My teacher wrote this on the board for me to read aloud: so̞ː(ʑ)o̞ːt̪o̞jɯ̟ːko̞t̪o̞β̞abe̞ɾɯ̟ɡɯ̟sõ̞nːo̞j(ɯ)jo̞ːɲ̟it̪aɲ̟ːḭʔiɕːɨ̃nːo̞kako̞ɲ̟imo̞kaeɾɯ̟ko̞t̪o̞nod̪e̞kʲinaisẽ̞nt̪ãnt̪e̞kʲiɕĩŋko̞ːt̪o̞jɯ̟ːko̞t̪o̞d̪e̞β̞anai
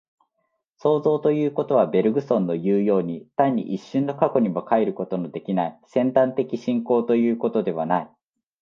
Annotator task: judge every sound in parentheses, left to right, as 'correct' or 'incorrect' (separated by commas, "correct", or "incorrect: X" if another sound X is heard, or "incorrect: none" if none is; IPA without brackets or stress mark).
incorrect: z, incorrect: ɯː